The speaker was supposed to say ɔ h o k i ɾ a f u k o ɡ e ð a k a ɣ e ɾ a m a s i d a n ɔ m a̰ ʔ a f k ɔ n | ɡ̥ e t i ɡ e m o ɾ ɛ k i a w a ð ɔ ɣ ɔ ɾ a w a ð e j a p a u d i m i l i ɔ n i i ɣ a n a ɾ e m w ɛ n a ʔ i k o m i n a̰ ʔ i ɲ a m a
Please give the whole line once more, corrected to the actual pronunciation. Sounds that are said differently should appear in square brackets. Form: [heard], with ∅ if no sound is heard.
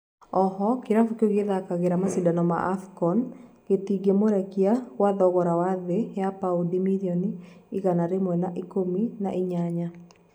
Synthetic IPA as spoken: ɔ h [ɔ] k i ɾ a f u k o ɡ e ð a k a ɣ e ɾ a m a s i d a n ɔ m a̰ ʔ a f k ɔ n | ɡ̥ e t i ɡ e m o ɾ ɛ k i a w a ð ɔ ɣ ɔ ɾ a w a ð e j a p a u d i m i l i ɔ n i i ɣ a n a ɾ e m w ɛ n a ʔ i k o m i n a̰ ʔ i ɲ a [ɲ] a